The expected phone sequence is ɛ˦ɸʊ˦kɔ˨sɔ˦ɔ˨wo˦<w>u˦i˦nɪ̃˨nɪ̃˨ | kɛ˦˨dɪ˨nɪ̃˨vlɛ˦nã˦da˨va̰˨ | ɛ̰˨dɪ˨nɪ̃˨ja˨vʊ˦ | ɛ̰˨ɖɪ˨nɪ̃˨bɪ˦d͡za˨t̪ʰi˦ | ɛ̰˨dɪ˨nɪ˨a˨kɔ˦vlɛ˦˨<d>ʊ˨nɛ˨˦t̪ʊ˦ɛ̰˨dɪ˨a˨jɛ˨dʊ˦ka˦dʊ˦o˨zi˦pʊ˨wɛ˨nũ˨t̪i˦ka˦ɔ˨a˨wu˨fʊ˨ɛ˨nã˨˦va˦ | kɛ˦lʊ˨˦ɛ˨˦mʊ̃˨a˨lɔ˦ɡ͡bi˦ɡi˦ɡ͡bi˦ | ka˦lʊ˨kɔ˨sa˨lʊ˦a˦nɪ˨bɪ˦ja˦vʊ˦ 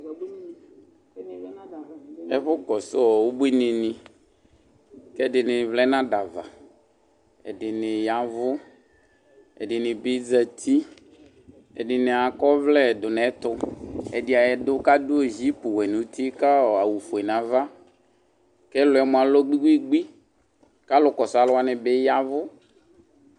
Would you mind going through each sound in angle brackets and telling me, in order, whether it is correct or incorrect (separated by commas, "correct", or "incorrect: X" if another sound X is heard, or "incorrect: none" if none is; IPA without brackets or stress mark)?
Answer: incorrect: b, correct